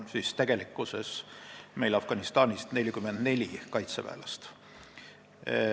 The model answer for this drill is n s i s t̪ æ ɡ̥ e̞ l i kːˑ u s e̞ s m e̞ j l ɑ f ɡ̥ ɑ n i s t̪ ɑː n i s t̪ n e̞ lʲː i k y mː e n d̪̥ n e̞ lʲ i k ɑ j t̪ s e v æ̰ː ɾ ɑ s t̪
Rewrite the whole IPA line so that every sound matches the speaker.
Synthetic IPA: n s i s t̪ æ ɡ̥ e̞ l i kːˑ u s e̞ s m e̞ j l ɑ f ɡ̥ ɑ n i s t̪ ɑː n i s t̪ n e̞ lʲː i k y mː e n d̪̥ n e̞ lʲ i k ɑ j t̪ s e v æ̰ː l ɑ s t̪